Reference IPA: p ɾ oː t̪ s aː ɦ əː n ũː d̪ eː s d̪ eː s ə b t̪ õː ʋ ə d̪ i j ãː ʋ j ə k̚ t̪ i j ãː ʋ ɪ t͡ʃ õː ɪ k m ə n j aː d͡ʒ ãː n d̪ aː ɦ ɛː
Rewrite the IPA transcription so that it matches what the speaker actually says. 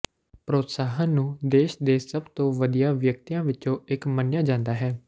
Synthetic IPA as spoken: p ɾ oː t̪ s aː ɦ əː n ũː d̪ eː ʃ d̪ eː s ə b t̪ õː ʋ ə d̪ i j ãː ʋ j ə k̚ t̪ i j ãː ʋ ɪ t͡ʃ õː ɪ k m ə n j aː d͡ʒ ãː n d̪ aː ɦ ɛː